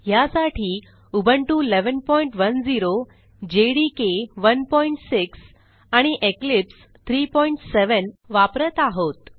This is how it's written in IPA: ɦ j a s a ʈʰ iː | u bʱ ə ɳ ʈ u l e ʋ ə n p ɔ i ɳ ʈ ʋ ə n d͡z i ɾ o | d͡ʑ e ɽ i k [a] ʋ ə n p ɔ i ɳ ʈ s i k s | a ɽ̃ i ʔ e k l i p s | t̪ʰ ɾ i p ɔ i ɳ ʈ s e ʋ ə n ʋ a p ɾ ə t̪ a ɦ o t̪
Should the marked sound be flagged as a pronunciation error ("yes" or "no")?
yes